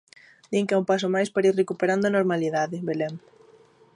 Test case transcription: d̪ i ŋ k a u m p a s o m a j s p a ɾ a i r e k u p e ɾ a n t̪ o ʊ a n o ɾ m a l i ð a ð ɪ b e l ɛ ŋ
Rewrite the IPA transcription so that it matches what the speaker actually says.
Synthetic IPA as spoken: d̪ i ŋ k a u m p a s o m a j s p a ɾ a i r e k u p e ɾ a n d̪ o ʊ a n o ɾ m a l i ð a ð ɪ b e l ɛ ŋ